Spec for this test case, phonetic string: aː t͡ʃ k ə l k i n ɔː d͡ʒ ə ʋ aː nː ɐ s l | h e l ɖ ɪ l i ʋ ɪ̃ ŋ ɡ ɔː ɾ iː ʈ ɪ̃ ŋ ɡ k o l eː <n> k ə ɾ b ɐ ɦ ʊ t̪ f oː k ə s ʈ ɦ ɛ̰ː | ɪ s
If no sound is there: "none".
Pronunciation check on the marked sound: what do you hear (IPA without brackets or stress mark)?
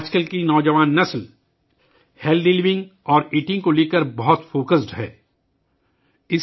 none